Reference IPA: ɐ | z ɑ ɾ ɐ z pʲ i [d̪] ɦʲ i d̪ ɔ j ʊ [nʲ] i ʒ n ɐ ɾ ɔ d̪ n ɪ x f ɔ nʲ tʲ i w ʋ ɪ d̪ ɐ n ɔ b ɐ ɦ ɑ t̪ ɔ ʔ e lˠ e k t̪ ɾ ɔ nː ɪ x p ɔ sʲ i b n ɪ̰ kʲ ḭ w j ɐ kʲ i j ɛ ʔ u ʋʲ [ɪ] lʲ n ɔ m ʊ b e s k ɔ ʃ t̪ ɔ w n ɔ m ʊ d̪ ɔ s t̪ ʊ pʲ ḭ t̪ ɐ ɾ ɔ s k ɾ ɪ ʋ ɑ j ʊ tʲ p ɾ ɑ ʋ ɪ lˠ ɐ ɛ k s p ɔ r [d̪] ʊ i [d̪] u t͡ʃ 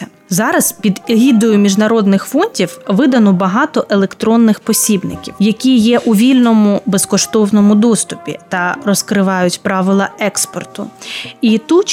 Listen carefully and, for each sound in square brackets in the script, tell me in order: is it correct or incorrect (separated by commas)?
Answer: correct, incorrect, incorrect, incorrect, incorrect